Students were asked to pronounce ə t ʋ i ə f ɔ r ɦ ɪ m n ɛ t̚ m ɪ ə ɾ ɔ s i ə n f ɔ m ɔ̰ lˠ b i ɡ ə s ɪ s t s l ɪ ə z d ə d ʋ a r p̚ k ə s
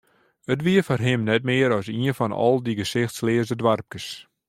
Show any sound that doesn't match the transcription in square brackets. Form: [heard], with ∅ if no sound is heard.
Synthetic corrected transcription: ə t ʋ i ə f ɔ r ɦ ɪ m n ɛ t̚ m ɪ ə ɾ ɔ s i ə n f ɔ [n] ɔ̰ lˠ [d] i ɡ ə s ɪ [x] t s l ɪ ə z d ə d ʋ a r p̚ k ə s